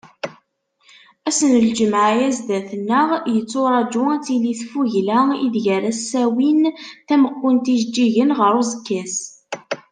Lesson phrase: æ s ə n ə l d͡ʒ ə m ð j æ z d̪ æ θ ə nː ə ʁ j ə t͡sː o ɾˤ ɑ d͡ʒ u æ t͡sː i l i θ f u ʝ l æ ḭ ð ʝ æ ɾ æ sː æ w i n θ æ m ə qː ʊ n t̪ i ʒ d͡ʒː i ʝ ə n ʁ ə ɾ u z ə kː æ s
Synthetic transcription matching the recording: æ s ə n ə l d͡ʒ ə m ʕ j æ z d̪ æ θ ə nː ə ʁ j ə t͡sː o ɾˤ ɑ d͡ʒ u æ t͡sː i l i θ f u ʝ l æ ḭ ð ʝ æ ɾ æ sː æ w i n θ æ m ə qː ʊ n t̪ i ʒ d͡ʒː i ʝ ə n ʁ ə ɾ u z ə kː æ s